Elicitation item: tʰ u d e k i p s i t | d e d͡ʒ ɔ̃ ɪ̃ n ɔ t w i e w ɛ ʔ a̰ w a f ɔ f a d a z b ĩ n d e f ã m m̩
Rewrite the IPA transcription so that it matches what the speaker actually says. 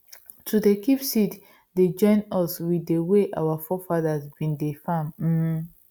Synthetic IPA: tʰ u d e k i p s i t | d e d͡ʒ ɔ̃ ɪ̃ n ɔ s w i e w e ʔ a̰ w a f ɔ f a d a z b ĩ n d e f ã m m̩